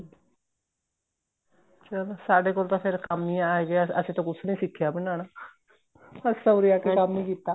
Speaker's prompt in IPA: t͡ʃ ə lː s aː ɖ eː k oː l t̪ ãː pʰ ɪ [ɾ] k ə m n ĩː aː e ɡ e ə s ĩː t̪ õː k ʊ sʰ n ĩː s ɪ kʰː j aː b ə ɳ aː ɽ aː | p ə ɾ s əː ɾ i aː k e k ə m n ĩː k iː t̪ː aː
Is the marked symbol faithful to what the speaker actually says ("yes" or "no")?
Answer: yes